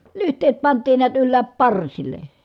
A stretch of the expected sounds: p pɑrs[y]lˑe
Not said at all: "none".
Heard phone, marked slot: i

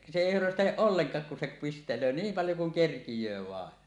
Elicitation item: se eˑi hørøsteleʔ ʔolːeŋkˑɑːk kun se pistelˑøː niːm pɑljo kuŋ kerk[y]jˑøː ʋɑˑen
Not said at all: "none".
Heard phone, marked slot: i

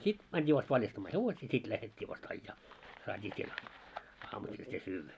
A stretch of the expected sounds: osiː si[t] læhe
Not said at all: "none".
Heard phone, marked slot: t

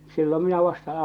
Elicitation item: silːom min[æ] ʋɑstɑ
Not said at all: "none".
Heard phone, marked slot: æ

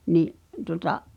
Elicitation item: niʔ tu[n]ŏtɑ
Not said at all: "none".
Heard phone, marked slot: none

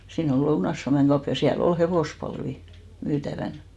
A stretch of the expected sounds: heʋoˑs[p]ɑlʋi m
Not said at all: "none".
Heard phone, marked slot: p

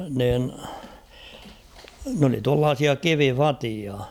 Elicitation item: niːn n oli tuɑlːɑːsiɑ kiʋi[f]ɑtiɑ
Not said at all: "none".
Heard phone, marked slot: f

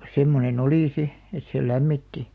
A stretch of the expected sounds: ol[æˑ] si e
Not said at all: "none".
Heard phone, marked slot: iˑ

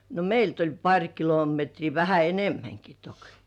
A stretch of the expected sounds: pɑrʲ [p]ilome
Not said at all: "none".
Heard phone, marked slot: k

